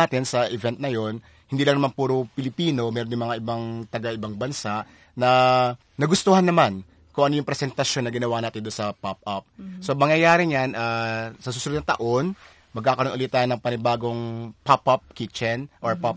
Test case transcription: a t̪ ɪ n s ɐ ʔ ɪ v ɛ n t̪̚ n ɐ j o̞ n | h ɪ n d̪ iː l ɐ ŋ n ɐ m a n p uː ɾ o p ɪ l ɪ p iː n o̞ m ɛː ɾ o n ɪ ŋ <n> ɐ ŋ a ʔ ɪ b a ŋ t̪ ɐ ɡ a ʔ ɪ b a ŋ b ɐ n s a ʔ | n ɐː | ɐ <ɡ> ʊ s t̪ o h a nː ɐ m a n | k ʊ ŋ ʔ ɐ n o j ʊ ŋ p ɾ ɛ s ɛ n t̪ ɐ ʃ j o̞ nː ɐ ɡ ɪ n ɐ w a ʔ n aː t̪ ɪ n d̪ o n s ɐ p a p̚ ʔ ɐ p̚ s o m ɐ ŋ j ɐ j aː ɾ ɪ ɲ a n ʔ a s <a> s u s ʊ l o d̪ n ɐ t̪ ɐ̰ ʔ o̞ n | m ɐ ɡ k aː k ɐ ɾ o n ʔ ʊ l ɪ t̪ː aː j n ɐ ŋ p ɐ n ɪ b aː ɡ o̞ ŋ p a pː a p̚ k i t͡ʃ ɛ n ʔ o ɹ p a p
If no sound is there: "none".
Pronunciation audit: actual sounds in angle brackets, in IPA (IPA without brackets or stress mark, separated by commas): m, ɡ, ɐ